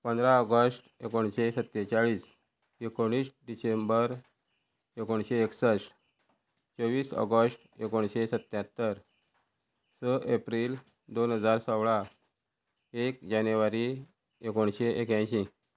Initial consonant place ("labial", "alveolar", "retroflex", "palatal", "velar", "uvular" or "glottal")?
labial